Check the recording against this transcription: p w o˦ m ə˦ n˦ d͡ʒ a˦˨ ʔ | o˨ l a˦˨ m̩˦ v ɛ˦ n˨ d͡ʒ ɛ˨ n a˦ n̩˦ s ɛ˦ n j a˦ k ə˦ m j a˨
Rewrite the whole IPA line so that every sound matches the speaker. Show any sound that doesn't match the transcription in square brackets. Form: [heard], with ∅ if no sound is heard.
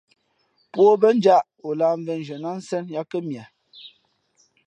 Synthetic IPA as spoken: p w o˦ [b] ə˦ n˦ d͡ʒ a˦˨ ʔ | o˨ l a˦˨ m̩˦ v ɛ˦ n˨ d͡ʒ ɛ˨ n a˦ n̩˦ s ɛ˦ n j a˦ k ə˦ m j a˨

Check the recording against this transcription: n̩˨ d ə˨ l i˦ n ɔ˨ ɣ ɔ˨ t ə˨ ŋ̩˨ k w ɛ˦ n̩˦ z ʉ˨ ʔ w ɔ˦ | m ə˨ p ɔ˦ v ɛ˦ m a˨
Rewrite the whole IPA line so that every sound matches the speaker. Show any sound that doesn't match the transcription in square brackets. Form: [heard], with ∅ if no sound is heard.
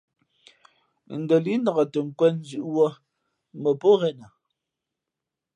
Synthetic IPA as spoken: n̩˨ d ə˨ l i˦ n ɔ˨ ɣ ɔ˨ t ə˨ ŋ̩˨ k w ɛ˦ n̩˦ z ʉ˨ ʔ w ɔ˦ | m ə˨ p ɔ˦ [ɣ] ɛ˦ [n] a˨

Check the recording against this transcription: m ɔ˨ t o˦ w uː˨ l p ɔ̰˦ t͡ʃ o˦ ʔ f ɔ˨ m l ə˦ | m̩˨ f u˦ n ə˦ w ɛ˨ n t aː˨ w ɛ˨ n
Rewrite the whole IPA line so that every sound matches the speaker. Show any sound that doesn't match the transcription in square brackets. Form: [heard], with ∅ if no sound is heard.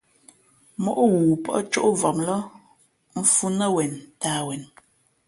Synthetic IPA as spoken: m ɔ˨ [ʔ] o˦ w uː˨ [∅] p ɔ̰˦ t͡ʃ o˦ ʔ [v] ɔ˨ m l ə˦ | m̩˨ f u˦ n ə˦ w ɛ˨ n t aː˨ w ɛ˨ n

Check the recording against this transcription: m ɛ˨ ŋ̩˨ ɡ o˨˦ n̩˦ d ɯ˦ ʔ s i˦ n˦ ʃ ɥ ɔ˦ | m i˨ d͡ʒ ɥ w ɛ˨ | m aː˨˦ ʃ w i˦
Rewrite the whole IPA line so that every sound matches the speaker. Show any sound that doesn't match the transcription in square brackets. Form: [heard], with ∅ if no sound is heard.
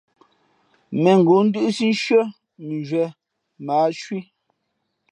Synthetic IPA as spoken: m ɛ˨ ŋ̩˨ ɡ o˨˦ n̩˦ d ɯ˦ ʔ s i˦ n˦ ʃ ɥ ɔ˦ | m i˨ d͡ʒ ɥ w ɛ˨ | m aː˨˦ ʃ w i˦

